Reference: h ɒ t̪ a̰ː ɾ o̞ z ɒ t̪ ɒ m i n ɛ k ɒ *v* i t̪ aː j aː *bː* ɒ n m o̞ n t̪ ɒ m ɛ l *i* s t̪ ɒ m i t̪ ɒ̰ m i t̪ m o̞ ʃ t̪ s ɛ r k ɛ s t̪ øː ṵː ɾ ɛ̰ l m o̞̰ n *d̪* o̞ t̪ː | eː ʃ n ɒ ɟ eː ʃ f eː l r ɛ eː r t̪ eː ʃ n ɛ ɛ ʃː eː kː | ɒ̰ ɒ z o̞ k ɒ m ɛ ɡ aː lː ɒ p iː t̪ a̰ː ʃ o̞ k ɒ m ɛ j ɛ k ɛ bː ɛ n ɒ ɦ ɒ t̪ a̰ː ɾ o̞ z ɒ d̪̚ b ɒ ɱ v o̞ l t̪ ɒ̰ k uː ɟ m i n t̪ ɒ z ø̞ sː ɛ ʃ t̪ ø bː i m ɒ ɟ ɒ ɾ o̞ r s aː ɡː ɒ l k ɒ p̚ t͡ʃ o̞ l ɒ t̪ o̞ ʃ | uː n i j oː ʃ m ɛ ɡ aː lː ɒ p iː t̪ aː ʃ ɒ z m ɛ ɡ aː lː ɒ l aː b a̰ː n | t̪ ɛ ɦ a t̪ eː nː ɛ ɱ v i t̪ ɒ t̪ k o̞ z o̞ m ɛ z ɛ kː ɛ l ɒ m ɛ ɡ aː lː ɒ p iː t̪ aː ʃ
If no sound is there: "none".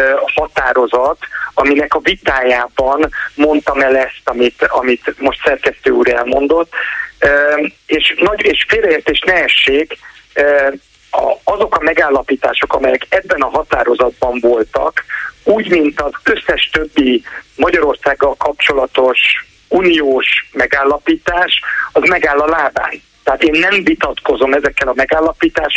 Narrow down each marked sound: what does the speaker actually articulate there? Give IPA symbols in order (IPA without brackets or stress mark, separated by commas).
v, b, ɛ, d̪